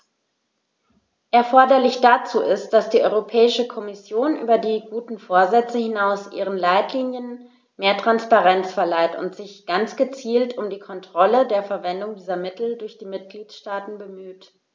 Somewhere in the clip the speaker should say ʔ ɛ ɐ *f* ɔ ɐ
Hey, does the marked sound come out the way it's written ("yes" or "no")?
yes